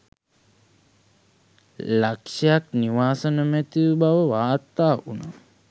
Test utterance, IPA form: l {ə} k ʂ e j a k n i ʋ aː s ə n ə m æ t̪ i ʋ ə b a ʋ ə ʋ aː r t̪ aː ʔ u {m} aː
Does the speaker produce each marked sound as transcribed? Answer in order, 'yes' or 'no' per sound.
no, no

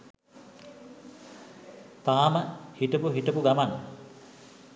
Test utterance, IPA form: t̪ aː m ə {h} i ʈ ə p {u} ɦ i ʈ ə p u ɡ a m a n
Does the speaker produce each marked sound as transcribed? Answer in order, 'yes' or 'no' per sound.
yes, yes

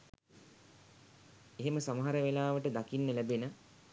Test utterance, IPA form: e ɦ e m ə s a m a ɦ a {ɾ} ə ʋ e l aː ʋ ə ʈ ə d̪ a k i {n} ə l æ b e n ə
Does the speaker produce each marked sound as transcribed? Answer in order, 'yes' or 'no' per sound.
yes, no

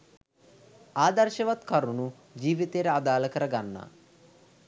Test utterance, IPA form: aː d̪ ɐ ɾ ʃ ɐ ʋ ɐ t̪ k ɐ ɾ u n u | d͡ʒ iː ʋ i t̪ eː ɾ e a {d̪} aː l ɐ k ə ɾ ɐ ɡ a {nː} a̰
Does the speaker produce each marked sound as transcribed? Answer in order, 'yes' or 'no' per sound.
yes, yes

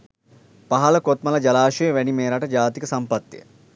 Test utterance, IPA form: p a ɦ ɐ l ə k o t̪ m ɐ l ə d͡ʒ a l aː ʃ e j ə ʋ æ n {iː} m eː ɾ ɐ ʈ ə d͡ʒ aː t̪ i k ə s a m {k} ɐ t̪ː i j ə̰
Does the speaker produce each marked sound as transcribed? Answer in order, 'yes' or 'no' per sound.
no, no

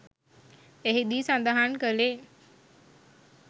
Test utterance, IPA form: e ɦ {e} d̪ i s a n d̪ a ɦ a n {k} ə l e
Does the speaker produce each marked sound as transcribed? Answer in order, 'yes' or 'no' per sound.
no, yes

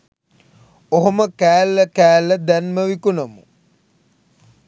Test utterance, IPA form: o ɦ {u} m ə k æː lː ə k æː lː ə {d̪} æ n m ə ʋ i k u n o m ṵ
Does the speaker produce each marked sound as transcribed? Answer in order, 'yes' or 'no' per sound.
no, yes

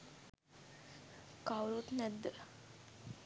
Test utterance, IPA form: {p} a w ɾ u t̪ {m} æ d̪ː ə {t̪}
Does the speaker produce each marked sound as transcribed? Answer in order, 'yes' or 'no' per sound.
no, no, no

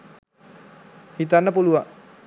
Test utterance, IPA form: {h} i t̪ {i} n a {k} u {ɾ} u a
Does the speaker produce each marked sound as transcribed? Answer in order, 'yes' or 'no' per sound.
yes, no, no, no

